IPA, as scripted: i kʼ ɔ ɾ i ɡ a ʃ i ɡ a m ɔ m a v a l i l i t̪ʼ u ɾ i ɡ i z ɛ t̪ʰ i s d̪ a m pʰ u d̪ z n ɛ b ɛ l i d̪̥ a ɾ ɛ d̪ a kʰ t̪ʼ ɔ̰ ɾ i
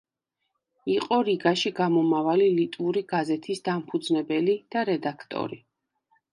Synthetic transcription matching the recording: i qʼ ɔ ɾ i ɡ a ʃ i ɡ a m ɔ m a v a l i l i t̪ʼ u ɾ i ɡ a z ɛ t̪ʰ i s d̪ a m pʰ u d̪ z n ɛ b ɛ l i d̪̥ a ɾ ɛ d̪ a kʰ t̪ʼ ɔ̰ ɾ i